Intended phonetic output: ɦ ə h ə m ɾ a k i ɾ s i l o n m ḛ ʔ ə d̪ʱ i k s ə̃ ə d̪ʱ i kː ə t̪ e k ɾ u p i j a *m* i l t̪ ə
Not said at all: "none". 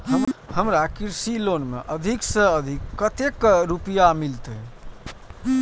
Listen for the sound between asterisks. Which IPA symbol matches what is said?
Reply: m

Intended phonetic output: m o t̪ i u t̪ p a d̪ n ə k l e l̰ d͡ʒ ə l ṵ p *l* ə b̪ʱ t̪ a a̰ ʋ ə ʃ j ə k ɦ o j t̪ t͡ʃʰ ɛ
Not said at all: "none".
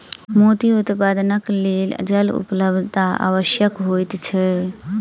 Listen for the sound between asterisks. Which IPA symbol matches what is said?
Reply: l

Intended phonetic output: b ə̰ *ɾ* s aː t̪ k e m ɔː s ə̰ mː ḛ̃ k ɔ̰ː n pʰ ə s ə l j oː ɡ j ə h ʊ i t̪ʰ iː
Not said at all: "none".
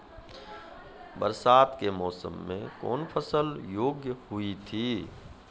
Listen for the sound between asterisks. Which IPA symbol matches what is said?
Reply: ɾ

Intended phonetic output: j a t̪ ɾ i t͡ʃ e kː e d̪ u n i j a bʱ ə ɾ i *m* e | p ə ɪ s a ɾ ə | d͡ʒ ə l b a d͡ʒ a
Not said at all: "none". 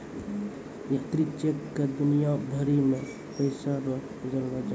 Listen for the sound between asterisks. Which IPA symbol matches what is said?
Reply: m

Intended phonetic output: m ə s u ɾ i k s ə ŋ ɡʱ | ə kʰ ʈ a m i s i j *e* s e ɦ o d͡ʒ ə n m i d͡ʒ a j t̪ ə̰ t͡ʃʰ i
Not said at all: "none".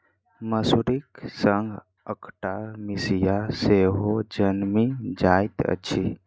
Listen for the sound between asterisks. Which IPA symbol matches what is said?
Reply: a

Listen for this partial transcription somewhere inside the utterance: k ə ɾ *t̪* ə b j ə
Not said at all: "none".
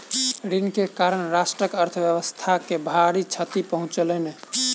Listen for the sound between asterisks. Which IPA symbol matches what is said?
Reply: t̪ʰ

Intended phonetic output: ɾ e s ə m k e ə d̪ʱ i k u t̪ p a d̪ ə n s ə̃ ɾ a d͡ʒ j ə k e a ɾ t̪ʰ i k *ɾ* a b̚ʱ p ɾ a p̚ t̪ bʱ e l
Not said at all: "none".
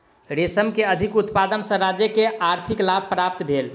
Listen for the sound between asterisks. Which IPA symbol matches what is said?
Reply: l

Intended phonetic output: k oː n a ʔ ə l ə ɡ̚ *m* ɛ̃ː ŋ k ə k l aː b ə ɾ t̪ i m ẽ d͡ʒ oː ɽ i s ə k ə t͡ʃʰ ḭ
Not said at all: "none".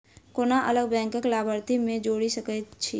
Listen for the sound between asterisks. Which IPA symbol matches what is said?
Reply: b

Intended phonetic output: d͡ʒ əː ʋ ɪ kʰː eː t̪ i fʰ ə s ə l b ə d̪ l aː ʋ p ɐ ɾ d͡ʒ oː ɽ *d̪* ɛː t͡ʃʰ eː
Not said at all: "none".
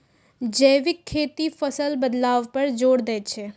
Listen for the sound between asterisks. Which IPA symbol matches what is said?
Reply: d̪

